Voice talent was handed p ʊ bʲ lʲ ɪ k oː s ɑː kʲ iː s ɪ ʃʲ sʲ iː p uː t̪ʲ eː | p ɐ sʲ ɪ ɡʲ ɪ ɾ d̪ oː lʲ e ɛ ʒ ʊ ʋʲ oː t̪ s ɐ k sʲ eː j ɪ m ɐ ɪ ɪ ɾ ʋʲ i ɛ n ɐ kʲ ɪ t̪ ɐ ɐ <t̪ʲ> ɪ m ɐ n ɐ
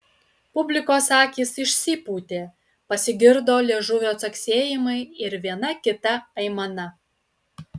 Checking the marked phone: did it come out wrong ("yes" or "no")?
yes